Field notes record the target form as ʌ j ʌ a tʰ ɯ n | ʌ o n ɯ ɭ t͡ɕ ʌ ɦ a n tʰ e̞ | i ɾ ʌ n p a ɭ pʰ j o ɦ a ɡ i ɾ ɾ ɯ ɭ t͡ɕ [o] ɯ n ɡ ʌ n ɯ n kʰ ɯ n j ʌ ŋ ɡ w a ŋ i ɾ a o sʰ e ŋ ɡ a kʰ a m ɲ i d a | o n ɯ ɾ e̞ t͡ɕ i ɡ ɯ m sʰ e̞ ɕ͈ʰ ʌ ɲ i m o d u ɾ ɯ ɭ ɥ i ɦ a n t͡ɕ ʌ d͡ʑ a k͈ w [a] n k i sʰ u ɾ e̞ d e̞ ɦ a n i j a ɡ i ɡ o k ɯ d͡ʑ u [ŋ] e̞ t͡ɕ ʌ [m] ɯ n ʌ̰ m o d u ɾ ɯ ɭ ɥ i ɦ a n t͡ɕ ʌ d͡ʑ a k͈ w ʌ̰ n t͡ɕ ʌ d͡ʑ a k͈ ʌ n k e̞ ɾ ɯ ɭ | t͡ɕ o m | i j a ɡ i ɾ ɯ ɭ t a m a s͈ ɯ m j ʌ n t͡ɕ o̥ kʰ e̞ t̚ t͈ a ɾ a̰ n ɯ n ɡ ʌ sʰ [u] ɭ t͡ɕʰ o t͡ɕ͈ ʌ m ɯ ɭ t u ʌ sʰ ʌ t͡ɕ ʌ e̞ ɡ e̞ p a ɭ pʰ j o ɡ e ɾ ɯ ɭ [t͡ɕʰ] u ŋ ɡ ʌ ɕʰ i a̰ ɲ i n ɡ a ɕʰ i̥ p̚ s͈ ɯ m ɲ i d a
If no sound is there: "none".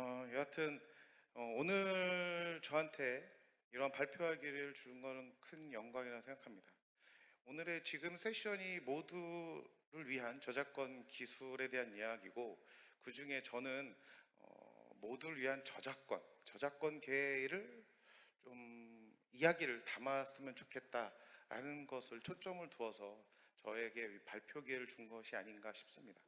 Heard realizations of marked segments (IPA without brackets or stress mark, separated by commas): u, ʌ, ŋ, n, ɯ, t͡ɕ